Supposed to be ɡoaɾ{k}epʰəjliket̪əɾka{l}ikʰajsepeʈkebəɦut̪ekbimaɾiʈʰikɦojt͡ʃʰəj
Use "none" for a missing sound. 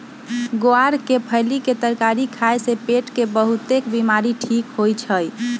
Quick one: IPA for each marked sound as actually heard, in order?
k, ɾ

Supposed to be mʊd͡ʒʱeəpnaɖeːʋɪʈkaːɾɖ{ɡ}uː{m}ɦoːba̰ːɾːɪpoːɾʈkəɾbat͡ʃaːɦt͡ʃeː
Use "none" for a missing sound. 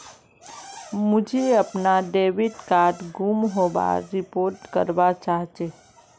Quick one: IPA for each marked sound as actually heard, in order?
ɡ, m

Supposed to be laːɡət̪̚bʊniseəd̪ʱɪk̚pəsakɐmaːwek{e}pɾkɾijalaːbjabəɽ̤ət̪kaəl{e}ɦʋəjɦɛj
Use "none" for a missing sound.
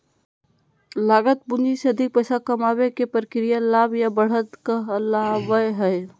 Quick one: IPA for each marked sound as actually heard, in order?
e, a

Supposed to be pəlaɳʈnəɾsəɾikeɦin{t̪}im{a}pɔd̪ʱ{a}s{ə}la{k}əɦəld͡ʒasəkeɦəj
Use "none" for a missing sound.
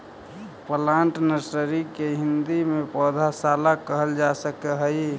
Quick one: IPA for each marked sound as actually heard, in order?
d̪, e, a, a, k

